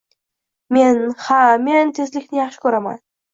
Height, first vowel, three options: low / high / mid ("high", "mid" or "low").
mid